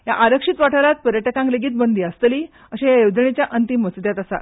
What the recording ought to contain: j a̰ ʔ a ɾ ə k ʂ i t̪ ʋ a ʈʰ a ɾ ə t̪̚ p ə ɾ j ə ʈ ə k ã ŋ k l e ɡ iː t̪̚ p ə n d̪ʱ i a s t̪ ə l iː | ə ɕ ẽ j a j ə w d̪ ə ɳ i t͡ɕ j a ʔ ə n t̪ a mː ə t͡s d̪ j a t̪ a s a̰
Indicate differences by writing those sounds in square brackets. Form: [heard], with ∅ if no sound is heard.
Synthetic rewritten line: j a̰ ʔ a ɾ ə k ʂ i t̪ ʋ a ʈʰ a ɾ [a] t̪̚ p ə ɾ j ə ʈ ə k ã ŋ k l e ɡ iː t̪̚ [b] ə n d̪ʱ i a s t̪ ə l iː | ə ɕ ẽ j a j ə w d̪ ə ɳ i t͡ɕ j a ʔ ə n t̪ [i] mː ə t͡s d̪ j a t̪ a s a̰